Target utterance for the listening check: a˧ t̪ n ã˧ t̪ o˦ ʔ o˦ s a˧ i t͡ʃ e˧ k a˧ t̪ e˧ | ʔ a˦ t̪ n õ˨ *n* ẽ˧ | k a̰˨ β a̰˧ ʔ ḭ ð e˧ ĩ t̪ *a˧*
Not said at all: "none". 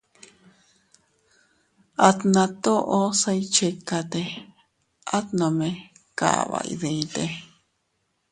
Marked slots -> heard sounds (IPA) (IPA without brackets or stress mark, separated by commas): m, e˧